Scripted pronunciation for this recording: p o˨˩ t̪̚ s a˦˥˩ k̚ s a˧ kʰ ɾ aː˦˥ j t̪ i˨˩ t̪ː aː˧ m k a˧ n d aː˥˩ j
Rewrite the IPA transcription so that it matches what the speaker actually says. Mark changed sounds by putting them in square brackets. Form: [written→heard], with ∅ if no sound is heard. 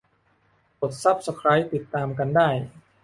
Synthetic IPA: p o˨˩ t̪̚ s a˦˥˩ [k̚→p̚] s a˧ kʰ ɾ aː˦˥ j t̪ i˨˩ t̪ː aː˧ m k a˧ n d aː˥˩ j

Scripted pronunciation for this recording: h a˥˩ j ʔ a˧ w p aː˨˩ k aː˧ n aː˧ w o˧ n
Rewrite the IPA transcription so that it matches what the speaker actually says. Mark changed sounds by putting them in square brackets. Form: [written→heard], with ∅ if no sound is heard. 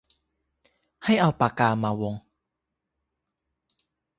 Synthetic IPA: h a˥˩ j ʔ a˧ w p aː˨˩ k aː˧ [n→m] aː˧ w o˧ [n→ŋ]

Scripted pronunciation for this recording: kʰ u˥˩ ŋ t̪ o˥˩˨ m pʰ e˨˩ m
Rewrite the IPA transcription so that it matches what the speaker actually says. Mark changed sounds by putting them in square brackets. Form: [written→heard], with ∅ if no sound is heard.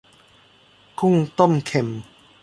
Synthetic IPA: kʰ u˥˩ ŋ t̪ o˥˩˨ m [pʰ→kʰ] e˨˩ m

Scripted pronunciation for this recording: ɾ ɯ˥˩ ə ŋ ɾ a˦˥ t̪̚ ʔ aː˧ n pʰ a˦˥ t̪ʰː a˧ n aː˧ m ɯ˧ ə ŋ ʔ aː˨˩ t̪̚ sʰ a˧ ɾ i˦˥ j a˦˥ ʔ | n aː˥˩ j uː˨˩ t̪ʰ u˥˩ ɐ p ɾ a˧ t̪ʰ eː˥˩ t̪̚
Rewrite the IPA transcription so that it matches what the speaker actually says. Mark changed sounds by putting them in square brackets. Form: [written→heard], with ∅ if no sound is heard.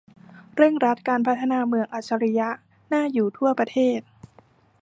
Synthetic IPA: ɾ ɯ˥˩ ə ŋ ɾ a˦˥ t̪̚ [ʔ→k] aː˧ n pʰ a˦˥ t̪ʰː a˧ n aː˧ m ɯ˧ ə ŋ ʔ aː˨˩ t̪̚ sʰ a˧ ɾ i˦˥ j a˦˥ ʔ | n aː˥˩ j uː˨˩ t̪ʰ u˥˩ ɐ p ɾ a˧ t̪ʰ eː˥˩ t̪̚

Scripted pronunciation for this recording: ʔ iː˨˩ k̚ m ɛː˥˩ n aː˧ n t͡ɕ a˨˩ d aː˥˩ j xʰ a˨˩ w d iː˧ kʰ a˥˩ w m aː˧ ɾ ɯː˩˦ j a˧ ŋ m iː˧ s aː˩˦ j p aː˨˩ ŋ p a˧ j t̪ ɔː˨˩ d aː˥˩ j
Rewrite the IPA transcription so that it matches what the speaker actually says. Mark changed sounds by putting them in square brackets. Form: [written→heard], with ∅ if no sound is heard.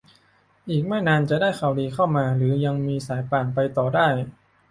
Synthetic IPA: ʔ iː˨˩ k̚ m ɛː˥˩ n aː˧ n t͡ɕ a˨˩ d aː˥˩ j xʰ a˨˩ w d iː˧ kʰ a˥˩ w m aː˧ ɾ ɯː˩˦ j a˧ ŋ m iː˧ s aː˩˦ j p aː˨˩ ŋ p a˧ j t̪ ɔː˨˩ d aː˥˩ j

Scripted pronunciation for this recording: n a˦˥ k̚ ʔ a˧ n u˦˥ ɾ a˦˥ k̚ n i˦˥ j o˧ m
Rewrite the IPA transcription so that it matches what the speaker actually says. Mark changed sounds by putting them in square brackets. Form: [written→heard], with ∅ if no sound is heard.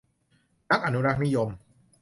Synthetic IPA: n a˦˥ k̚ ʔ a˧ n u˦˥ ɾ a˦˥ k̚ n i˦˥ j o˧ m

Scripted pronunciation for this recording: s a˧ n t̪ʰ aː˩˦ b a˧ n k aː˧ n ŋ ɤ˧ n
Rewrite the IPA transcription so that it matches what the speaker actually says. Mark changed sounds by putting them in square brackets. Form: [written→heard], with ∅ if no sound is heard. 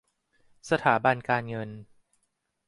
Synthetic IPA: s a˧ [n→∅] t̪ʰ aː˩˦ b a˧ n k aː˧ n ŋ ɤ˧ n

